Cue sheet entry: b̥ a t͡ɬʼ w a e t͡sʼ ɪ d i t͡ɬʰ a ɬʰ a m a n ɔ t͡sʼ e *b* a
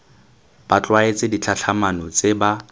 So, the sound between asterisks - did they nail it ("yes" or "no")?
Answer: yes